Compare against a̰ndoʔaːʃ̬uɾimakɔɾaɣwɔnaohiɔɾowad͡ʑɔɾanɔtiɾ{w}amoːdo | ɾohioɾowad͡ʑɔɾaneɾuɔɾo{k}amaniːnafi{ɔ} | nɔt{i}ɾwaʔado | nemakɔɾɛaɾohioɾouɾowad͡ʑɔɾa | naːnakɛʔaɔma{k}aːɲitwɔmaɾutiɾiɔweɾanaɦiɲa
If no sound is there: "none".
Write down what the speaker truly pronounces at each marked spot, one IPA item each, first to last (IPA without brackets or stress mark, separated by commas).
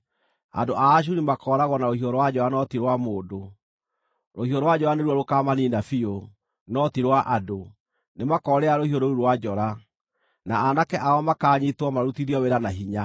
w, k, o, i, k